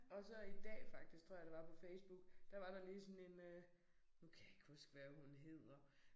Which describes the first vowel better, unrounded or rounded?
rounded